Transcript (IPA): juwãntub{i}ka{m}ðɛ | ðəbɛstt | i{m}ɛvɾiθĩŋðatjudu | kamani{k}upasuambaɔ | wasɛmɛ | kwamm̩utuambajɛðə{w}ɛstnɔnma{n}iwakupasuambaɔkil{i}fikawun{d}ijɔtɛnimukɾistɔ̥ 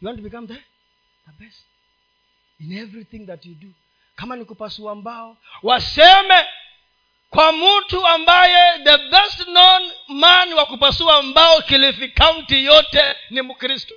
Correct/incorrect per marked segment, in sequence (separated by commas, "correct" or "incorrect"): correct, correct, incorrect, correct, incorrect, correct, correct, incorrect